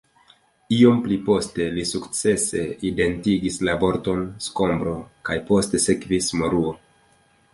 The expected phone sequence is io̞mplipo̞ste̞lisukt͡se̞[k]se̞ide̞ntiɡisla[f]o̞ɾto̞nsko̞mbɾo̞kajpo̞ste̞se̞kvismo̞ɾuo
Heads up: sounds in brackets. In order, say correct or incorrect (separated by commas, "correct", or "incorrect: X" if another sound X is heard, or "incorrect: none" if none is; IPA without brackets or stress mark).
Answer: incorrect: none, incorrect: v